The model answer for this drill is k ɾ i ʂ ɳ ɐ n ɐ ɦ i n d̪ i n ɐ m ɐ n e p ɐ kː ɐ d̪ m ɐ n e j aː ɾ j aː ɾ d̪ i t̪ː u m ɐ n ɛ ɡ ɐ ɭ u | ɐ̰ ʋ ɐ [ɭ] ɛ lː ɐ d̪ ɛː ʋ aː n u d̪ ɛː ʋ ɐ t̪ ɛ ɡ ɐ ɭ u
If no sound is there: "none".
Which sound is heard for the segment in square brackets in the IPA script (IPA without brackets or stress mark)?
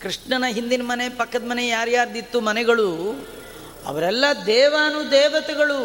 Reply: ɾ